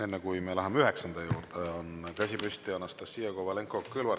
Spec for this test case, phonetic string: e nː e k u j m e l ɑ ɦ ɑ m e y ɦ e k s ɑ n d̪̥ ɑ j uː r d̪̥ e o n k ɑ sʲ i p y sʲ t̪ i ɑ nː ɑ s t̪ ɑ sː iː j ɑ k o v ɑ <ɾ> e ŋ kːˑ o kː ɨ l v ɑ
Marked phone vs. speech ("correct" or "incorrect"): incorrect